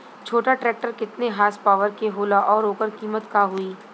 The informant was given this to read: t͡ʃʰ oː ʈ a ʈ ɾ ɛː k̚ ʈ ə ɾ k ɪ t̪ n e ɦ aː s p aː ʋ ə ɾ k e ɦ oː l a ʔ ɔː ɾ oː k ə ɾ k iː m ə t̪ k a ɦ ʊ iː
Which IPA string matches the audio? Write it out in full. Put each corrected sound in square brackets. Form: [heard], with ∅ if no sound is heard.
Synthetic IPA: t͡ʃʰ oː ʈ a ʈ ɾ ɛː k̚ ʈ ə ɾ k ɪ t̪ n e ɦ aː s p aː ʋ ə ɾ k e ɦ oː l a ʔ ɔː ɾ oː k ə ɾ k iː m ə t̪ k a ɦ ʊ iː